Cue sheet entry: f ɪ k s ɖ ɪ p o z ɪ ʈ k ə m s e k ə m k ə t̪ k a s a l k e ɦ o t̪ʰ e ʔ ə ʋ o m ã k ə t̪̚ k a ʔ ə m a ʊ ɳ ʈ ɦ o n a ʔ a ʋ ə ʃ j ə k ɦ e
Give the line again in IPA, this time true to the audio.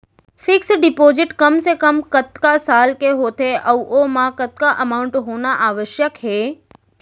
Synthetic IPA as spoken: f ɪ k s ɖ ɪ p o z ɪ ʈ k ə m s e k ə m k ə t̪ k a s a l k e ɦ o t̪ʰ e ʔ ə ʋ o m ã k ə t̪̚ k a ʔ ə m a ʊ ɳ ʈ ɦ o n a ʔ a ʋ ə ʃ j ə k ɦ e